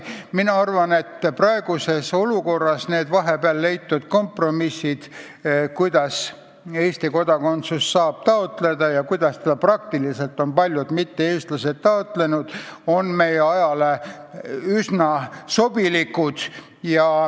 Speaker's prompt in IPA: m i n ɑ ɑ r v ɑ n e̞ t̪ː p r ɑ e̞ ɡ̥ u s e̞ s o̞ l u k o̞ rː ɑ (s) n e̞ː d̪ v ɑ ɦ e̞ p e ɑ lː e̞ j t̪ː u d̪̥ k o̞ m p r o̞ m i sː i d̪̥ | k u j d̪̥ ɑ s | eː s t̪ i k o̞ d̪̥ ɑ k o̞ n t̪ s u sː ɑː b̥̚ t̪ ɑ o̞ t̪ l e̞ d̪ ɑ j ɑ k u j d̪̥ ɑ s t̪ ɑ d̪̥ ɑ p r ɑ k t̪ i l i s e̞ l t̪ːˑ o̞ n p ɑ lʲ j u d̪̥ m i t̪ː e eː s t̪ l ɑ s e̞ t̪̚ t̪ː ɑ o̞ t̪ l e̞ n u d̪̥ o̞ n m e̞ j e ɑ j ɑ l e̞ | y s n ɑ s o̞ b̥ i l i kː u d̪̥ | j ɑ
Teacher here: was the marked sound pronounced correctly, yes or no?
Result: yes